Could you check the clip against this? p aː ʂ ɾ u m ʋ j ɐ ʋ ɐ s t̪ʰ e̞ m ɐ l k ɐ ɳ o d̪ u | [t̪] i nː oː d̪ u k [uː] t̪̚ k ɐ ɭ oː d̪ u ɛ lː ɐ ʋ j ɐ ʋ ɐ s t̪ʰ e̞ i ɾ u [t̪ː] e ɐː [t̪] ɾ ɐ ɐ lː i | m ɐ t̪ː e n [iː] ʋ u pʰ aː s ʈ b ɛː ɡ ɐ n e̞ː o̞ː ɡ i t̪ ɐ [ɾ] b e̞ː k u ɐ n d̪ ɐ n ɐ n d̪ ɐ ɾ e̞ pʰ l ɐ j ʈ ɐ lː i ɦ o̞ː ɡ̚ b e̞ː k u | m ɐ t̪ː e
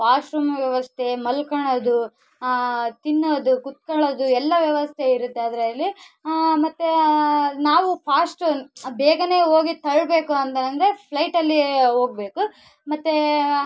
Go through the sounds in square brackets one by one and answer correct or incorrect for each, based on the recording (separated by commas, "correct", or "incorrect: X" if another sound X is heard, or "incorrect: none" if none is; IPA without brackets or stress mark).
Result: correct, incorrect: u, correct, incorrect: d̪, incorrect: aː, incorrect: ɭ